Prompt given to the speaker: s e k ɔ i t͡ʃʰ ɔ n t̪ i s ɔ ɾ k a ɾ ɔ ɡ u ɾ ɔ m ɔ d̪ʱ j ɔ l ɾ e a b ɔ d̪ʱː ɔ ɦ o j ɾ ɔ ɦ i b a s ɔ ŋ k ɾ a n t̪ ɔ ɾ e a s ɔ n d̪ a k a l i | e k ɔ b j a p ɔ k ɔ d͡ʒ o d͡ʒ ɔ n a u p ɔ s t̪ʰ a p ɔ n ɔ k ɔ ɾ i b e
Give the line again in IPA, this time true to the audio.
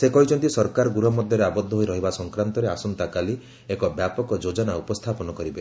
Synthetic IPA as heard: s e k ɔ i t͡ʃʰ ɔ n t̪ i s ɔ ɾ k a ɾ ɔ ɡ u ɾ ɔ m ɔ d̪ʱ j ɔ ɾ e a b ɔ d̪ʱː ɔ ɦ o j ɾ ɔ ɦ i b a s ɔ ŋ k ɾ a n t̪ ɔ ɾ e a s ɔ n t̪ a k a l i | e k ɔ b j a p ɔ k ɔ d͡ʒ o d͡ʒ ɔ n a u p ɔ s t̪ʰ a p ɔ n ɔ k ɔ ɾ i b e